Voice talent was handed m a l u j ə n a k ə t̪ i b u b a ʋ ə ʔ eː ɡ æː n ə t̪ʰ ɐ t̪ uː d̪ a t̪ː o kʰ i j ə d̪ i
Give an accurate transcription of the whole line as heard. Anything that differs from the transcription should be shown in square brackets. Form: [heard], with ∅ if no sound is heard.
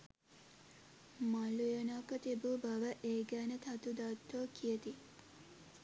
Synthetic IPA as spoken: m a l u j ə n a k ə t̪ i b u b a ʋ ə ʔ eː ɡ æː n ə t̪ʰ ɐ t̪ [u] d̪ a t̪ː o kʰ i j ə [t̪] i